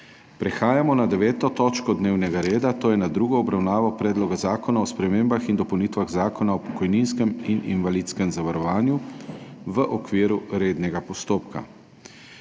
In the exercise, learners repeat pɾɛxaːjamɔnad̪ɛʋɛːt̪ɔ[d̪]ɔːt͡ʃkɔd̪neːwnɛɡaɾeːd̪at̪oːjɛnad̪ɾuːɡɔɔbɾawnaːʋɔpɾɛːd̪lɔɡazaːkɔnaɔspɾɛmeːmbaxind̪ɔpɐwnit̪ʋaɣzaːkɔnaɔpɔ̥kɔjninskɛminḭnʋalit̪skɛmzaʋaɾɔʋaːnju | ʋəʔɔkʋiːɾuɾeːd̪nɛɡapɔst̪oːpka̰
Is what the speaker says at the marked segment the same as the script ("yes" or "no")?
no